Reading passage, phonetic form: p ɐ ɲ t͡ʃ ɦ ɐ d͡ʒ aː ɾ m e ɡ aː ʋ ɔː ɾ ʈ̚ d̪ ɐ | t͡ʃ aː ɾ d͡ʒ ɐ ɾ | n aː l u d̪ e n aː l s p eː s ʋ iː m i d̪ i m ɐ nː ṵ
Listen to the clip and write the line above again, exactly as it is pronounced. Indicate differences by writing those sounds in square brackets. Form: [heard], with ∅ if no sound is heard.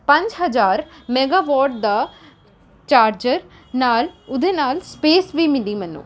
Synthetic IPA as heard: p ɐ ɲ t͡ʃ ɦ ɐ d͡ʒ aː ɾ m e ɡ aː ʋ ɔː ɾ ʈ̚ d̪ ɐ | t͡ʃ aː ɾ d͡ʒ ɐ ɾ | n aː l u d̪ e n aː l s p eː s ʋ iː m i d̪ i m ɐ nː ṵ